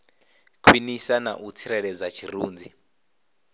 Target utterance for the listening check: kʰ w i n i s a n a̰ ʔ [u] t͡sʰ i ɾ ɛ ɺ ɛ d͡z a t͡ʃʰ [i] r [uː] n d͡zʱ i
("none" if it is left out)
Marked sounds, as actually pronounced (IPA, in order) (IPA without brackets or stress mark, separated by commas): u, i, uː